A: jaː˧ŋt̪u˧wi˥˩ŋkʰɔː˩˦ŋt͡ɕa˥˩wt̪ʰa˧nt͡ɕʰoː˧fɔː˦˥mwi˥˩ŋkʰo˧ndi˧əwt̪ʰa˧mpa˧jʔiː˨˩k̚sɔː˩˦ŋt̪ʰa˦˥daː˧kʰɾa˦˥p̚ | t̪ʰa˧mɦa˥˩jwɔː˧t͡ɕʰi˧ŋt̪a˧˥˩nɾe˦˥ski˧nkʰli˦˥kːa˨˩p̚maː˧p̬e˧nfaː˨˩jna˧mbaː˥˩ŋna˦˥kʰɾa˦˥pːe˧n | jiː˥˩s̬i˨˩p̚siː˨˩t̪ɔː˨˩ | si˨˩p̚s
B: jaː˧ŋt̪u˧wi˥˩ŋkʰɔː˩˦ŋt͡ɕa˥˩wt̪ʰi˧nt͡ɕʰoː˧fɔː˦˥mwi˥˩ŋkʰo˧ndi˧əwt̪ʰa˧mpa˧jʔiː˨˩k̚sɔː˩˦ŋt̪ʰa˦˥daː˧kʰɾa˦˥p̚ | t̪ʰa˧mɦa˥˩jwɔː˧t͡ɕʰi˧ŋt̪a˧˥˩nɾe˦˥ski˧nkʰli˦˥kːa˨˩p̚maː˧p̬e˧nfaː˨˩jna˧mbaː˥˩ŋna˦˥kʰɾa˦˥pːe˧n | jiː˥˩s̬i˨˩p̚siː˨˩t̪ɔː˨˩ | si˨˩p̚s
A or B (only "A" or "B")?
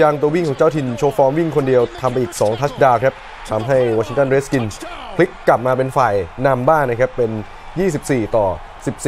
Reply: B